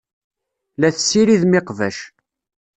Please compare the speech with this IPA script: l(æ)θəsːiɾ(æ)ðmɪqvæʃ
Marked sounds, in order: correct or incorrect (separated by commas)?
correct, incorrect